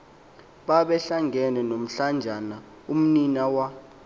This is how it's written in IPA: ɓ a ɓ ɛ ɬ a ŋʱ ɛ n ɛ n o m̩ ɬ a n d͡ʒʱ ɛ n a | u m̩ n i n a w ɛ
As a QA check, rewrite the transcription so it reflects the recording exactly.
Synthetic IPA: ɓ a ɓ ɛ ɬ a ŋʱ ɛ n ɛ n o m̩ ɬ a n d͡ʒʱ a n a | u m̩ n i n a w a